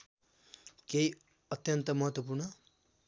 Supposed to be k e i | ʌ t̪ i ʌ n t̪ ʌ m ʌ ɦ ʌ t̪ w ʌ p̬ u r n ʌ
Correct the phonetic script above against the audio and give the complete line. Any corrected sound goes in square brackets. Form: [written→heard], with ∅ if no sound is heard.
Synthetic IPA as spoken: k e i | ʌ t̪ [i→j] ʌ n t̪ ʌ m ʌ ɦ ʌ t̪ w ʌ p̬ u r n ʌ